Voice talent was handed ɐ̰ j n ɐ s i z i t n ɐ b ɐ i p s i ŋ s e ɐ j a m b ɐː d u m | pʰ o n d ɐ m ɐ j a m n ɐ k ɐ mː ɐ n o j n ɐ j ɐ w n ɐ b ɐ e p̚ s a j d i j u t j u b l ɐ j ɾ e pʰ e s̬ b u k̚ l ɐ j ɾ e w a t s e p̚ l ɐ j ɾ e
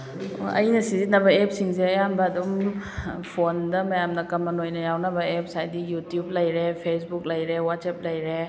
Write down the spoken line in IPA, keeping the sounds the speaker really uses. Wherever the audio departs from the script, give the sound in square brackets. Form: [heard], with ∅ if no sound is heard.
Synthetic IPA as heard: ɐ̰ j n ɐ s i z i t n ɐ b ɐ [e] p s i ŋ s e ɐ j a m b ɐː d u m | pʰ o n d ɐ m ɐ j a m n ɐ k ɐ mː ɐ n o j n ɐ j [a] w n ɐ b ɐ e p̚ s a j d i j u t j u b l ɐ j ɾ e pʰ e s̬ b u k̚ l ɐ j ɾ e w a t s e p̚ l ɐ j ɾ e